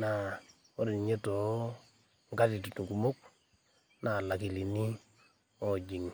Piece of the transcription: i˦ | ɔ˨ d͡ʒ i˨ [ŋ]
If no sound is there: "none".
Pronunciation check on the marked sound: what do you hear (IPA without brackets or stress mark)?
ŋ